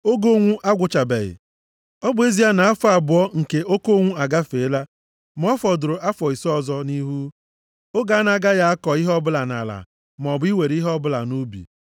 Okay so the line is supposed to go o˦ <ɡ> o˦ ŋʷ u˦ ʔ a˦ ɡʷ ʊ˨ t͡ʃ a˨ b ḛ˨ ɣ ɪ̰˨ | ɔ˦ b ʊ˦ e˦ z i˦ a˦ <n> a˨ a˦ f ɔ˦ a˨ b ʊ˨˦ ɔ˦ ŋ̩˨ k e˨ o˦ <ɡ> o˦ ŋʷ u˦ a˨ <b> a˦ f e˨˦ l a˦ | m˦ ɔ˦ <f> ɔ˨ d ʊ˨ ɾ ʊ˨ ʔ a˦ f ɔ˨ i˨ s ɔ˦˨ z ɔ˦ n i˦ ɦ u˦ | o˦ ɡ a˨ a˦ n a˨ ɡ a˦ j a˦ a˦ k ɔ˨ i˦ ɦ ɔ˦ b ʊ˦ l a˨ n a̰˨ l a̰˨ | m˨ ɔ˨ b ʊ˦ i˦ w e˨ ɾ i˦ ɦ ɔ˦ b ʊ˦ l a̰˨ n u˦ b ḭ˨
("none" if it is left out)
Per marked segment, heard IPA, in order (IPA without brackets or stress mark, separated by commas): ɡ, n, k, ɡ, f